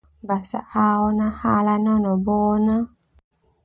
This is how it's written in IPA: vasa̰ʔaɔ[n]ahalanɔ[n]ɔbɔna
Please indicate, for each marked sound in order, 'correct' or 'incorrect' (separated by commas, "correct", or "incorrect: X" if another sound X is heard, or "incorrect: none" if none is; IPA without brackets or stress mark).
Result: correct, correct